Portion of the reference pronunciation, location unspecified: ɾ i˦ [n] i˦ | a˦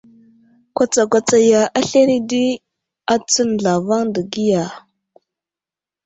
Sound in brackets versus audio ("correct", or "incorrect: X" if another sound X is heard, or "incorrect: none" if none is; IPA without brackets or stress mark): incorrect: d